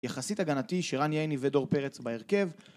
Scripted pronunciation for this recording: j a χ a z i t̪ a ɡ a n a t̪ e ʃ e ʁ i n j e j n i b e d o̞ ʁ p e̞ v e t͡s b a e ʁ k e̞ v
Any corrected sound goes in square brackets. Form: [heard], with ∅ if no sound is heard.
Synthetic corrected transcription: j a χ a [s] i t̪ a ɡ a n a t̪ [i] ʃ e ʁ [a] n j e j n i [v] e d o̞ ʁ p e̞ [ʁ] e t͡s b a e ʁ k e̞ v